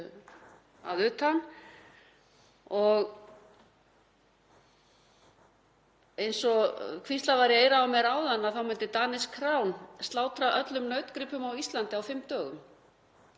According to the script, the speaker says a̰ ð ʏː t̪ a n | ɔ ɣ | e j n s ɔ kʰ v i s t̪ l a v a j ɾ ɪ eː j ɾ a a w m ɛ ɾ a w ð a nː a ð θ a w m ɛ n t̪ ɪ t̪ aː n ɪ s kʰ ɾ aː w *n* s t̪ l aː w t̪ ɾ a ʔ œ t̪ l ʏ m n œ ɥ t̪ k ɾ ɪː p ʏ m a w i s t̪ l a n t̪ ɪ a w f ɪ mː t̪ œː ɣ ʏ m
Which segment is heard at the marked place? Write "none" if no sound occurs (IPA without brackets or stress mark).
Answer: n